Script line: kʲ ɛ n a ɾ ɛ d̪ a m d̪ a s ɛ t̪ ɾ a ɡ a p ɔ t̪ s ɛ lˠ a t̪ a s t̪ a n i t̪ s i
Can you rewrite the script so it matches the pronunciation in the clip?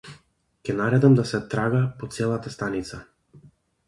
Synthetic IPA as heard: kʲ ɛ n a ɾ ɛ d̪ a m d̪ a s ɛ t̪ ɾ a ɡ a p ɔ t̪ s ɛ lˠ a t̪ a s t̪ a n i t̪ s a